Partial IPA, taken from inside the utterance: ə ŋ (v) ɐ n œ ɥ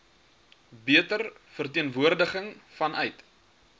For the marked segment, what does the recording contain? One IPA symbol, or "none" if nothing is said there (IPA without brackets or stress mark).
f